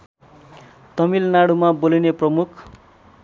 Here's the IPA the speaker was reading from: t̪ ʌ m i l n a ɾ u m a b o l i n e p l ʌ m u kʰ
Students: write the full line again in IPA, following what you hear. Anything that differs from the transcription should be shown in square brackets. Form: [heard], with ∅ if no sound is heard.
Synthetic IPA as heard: t̪ ʌ m i l n a [ɽ] u m a b o l i n e p [r] ʌ m u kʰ